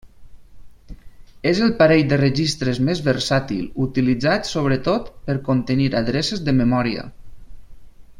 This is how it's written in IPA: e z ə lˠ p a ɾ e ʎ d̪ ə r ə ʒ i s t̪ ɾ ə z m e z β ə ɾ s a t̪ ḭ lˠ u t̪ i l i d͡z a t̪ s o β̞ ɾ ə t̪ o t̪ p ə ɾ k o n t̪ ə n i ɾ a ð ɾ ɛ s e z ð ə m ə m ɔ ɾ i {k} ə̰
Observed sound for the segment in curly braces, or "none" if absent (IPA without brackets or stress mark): none